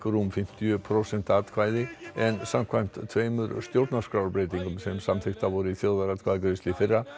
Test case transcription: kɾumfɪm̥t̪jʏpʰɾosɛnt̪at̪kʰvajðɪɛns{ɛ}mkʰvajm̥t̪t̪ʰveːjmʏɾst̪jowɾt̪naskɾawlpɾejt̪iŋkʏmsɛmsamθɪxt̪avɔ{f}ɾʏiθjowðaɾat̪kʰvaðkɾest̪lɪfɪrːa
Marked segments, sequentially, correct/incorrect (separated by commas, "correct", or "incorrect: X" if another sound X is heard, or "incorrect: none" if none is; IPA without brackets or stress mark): incorrect: a, incorrect: none